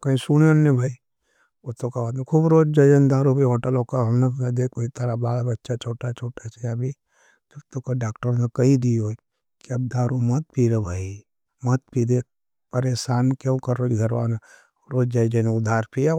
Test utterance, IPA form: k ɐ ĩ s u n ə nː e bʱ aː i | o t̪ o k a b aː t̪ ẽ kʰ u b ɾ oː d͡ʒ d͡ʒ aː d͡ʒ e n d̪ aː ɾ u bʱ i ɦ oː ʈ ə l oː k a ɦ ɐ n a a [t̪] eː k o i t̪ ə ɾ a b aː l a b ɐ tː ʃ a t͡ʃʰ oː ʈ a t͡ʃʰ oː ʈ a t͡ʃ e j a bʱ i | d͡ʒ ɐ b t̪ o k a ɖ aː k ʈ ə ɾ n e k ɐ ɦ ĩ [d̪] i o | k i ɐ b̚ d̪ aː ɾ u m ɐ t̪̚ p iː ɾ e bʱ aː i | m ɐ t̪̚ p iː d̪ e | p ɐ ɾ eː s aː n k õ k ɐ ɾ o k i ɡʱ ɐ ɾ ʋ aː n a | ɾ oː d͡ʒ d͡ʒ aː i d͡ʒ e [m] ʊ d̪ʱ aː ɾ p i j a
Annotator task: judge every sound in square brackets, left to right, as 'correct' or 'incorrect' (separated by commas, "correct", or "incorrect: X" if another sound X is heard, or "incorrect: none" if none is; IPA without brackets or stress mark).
incorrect: d̪, correct, incorrect: n